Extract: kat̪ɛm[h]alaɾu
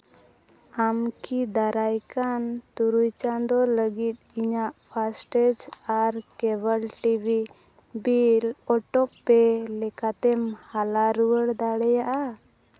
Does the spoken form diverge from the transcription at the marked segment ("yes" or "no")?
no